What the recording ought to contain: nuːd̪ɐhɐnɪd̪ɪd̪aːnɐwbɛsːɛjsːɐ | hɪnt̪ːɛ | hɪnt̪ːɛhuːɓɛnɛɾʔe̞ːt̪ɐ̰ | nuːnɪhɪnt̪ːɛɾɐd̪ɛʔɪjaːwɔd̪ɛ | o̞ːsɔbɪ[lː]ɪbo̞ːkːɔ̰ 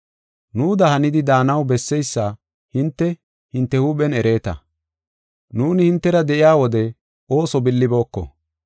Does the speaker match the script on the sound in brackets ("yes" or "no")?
yes